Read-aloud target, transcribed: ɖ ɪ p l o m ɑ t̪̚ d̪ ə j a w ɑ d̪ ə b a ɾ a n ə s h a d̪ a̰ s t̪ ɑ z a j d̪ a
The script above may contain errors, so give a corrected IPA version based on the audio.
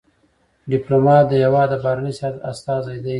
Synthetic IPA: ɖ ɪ p l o m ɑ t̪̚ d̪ ə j a w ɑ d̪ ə b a ɾ a n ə s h a t̪ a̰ s t̪ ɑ z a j d̪ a